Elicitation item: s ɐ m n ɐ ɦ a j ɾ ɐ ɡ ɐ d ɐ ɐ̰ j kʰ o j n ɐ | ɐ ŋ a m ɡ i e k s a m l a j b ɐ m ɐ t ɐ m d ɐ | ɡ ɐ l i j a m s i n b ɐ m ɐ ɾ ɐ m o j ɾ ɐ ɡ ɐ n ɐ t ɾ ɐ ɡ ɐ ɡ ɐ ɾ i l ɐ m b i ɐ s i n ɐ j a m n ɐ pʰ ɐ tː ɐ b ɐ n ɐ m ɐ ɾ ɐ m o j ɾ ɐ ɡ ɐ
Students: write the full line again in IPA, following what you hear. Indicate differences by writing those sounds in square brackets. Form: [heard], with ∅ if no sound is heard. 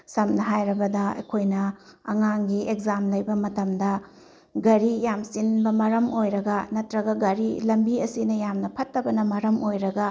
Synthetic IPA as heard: s ɐ m n ɐ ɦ a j ɾ ɐ [b] ɐ d ɐ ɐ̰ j kʰ o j n ɐ | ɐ ŋ a [ŋ] ɡ i e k [z] a m l [ɐ] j b ɐ m ɐ t ɐ m d ɐ | ɡ ɐ [ɾ] i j a m s i n b ɐ m ɐ ɾ ɐ m o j ɾ ɐ ɡ ɐ n ɐ t ɾ ɐ ɡ ɐ ɡ ɐ ɾ i l ɐ m b i ɐ s i n ɐ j a m n ɐ pʰ ɐ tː ɐ b ɐ n ɐ m ɐ ɾ ɐ m o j ɾ ɐ ɡ ɐ